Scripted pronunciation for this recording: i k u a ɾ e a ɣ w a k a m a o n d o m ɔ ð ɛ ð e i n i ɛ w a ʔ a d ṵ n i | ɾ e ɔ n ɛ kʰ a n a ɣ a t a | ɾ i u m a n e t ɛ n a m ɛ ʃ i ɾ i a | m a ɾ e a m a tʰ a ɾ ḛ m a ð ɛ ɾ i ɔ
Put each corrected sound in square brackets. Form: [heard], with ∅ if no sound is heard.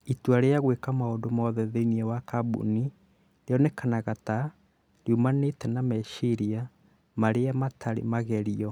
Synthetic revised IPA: i [t] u a ɾ e a ɣ w [e] k a m a o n d o m ɔ ð ɛ ð e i n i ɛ w a [k] a [b] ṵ n i | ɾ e ɔ n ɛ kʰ a n a ɣ a t a | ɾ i u m a n e t ɛ n a m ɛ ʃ i ɾ i a | m a ɾ e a m a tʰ a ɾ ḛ m a [ɣ] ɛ ɾ i ɔ